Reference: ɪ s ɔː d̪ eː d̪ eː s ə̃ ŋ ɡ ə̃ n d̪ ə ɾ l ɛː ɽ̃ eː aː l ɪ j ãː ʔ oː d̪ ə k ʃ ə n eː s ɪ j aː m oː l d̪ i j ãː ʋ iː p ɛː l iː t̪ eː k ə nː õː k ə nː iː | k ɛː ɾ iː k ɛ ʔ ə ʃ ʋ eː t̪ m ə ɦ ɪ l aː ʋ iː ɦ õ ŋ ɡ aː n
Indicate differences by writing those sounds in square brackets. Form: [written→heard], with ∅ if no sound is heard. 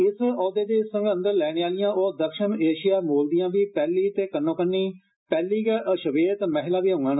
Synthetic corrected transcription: ɪ s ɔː d̪ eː d̪ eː s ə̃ ŋ ɡ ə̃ n d̪ ə ɾ l ɛː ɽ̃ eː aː l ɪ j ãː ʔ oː d̪ ə k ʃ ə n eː [s→ʃ] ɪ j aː m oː l d̪ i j ãː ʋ iː p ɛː l iː t̪ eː k ə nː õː k ə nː iː | [k→p] ɛː [ɾ→l] iː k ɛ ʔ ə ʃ ʋ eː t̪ m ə ɦ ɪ l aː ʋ iː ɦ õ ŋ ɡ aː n